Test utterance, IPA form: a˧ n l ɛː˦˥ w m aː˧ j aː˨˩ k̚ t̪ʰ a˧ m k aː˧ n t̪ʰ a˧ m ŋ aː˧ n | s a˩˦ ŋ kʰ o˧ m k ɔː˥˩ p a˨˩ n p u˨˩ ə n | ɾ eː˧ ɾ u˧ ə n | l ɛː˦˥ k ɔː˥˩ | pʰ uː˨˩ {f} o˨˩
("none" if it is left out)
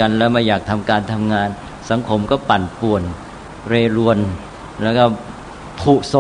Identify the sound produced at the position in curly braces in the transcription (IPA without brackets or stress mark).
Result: s